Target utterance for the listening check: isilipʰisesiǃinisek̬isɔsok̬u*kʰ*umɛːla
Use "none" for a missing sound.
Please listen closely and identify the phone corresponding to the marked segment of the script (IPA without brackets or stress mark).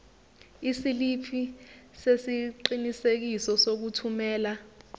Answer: tʰ